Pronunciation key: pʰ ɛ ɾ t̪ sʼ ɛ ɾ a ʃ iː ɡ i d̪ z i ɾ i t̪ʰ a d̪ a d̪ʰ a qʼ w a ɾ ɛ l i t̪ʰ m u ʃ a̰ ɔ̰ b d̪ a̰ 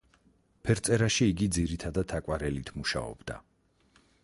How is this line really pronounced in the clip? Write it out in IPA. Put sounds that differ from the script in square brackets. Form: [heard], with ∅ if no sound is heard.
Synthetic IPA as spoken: pʰ ɛ ɾ t̪ sʼ ɛ ɾ a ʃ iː ɡ i d̪ z i ɾ i t̪ʰ a d̪ a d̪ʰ a [kʼ] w a ɾ ɛ l i t̪ʰ m u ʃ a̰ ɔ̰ b d̪ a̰